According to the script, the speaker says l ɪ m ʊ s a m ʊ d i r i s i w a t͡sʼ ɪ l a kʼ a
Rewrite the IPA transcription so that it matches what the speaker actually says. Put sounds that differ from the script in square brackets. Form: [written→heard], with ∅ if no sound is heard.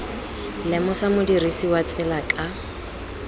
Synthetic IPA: l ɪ m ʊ s a m ʊ d i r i s i w a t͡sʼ ɪ l a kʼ a